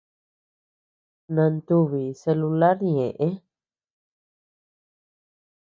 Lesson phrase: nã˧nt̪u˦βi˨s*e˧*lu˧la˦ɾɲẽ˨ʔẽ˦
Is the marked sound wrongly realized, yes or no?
no